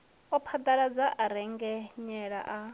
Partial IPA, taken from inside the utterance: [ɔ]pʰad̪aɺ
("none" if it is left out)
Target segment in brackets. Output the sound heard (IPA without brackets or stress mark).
ɔ